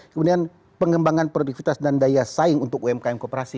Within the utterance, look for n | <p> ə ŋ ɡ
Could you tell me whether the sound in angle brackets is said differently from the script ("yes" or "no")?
no